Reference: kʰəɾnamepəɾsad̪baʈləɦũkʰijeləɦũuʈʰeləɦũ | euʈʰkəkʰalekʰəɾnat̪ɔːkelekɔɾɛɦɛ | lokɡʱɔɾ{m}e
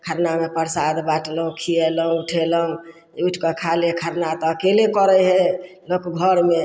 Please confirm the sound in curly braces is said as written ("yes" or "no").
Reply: yes